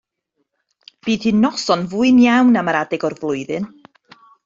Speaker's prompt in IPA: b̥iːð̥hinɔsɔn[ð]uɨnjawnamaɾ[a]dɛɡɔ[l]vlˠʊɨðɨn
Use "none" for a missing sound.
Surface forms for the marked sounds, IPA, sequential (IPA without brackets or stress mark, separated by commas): v, a, r